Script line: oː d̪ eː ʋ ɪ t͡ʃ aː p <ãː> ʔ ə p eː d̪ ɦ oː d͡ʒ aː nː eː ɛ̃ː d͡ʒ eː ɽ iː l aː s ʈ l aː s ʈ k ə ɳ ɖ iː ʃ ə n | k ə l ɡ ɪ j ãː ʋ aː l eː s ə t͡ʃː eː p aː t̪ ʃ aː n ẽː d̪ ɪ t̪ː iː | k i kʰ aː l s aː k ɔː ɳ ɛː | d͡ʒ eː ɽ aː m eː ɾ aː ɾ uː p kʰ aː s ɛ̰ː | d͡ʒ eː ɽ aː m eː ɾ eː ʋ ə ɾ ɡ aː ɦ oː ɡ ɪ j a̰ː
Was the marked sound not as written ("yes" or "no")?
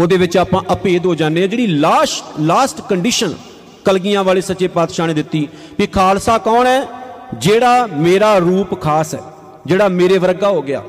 no